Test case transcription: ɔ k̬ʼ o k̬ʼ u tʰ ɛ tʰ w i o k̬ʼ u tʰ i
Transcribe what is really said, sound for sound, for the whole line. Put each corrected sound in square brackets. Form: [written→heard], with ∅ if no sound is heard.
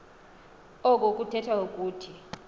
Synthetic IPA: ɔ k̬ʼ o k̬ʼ u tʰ ɛ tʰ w [i→a] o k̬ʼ [u→uː] tʰ i